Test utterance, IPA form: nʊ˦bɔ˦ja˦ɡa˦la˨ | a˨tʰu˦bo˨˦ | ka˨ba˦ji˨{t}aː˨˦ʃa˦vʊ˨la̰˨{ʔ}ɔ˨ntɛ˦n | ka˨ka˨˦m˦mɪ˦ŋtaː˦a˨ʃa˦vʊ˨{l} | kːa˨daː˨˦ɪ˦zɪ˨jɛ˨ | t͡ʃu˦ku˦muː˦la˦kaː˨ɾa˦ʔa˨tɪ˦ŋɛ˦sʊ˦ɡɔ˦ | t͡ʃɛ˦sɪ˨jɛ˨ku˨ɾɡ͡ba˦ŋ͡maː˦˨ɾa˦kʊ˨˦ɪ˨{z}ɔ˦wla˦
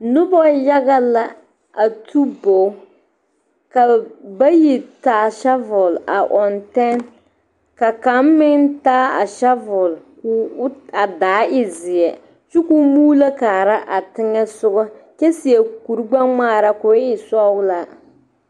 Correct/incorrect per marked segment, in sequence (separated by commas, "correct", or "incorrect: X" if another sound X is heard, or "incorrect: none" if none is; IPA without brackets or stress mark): correct, correct, correct, incorrect: s